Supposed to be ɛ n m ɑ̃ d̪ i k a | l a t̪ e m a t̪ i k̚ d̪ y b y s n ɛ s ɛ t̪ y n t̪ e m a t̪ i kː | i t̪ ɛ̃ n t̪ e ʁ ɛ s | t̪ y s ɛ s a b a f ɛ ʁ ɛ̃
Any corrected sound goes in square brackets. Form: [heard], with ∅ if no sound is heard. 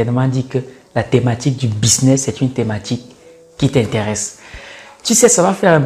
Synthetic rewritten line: ɛ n m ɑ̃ d̪ i k [ə] | l a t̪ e m a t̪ i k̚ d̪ y b [i] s n ɛ s ɛ t̪ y n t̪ e m a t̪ i kː | i t̪ ɛ̃ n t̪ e ʁ ɛ s | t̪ y s ɛ s a [v] a f ɛ ʁ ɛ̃

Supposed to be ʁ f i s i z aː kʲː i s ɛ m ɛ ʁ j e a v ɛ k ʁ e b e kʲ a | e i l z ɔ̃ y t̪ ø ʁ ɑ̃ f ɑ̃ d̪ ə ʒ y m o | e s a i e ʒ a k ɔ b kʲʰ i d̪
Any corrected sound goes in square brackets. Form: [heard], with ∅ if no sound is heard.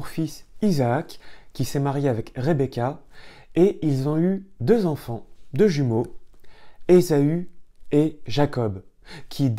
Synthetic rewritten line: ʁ f i s i z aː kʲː i s ɛ m [a] ʁ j e a v ɛ k ʁ e b e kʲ a | e i l z ɔ̃ y [d̪] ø [z] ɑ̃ f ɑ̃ d̪ ə ʒ y m o | e [z] a [y] e ʒ a k ɔ b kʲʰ i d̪

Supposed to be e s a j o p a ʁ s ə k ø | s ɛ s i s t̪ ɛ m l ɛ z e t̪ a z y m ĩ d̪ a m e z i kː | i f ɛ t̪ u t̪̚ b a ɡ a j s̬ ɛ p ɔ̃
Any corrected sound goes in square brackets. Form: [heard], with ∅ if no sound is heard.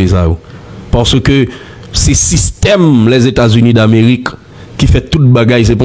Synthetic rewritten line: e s a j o p a ʁ s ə k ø | s ɛ s i s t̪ ɛ m l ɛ z e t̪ a z y [n] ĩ d̪ a m e [ʁ] i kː | i f ɛ t̪ u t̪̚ b a ɡ a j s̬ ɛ p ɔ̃

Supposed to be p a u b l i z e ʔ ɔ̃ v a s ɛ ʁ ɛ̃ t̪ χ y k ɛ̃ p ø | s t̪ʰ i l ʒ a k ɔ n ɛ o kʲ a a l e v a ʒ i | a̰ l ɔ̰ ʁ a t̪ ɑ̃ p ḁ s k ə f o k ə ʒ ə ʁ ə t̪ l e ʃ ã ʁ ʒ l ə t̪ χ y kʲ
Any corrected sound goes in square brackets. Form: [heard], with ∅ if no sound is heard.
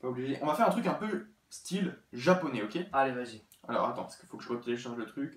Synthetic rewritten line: p a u b l i [ʒ] e ʔ ɔ̃ v a [f] ɛ ʁ ɛ̃ t̪ χ y k ɛ̃ p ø | s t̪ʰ i l ʒ a [p] ɔ n ɛ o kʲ [e] a l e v a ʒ i | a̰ l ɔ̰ ʁ a t̪ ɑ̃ p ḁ s k ə f o k ə ʒ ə ʁ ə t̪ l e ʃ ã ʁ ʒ l ə t̪ χ y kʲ

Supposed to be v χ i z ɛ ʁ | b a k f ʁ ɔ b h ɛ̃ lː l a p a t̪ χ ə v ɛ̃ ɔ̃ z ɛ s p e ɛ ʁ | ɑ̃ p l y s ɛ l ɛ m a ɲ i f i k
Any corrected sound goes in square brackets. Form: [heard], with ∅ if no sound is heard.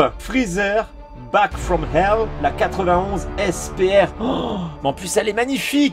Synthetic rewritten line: [f] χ i z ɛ ʁ | b a k f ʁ ɔ [m] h [ɛ] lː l a [k] a t̪ χ ə v ɛ̃ ɔ̃ z ɛ s p e ɛ ʁ | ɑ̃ p l y s ɛ l ɛ m a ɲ i f i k

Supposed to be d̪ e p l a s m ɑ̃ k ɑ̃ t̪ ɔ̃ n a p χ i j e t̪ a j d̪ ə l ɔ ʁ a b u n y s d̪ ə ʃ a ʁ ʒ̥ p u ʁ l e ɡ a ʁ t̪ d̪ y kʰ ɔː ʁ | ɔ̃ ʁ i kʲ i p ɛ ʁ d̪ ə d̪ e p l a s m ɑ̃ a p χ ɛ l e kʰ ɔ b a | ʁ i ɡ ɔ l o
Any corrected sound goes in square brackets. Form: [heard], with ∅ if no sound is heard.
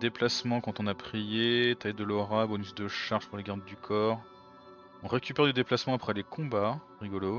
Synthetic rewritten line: d̪ e p l a s m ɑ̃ k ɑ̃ t̪ ɔ̃ n a p χ i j e t̪ a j d̪ ə l ɔ ʁ a b [ɔ] n y s d̪ ə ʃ a ʁ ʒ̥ p u ʁ l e ɡ a ʁ [d̪] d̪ y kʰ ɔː ʁ | ɔ̃ ʁ [e] kʲ [y] p ɛ ʁ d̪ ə d̪ e p l a s m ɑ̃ a p χ ɛ l e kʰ [ɔ̃] b a | ʁ i ɡ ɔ l o

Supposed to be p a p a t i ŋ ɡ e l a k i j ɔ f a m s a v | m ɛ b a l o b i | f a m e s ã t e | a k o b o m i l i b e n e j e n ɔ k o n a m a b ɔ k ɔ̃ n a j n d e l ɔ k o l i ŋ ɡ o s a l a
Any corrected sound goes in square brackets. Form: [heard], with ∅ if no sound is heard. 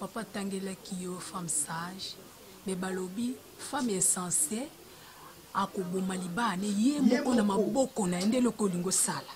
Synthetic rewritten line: p a p a t [a] ŋ ɡ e l a k i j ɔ f a m s a [ʒ] | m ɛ b a l o b i | f a m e s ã [s] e | a k o b o m [a] l i b [a] n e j e [m] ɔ k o n a m a b ɔ k [ɔ] n a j n d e l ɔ k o l i ŋ ɡ o s a l a

